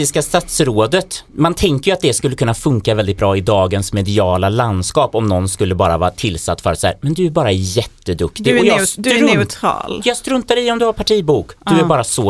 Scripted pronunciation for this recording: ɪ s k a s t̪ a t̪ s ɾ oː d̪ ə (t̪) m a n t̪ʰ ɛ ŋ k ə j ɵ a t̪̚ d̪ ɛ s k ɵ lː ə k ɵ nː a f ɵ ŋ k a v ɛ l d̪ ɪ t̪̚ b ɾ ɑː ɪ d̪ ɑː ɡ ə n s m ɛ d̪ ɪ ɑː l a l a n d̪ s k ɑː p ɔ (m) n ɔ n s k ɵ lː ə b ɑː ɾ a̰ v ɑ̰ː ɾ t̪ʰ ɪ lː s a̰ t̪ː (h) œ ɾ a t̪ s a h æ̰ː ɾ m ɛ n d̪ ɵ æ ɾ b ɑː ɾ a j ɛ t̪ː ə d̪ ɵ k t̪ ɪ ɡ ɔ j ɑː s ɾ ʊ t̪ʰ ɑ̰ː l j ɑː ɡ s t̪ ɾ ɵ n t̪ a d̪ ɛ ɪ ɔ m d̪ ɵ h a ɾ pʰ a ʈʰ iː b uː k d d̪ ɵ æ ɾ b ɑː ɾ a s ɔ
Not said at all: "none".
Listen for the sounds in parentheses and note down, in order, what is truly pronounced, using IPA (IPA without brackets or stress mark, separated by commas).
t̪, m, f